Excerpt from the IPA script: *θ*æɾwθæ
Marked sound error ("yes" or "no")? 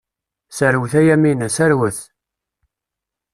yes